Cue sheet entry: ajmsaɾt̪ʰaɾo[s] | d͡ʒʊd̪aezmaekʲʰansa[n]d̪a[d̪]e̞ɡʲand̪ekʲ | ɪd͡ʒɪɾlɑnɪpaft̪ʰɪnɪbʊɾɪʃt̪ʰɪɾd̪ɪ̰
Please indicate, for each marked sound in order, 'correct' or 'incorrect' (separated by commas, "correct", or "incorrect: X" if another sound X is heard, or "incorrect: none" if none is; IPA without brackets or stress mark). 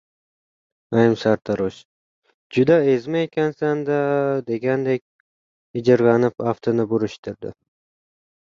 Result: incorrect: ʃ, correct, correct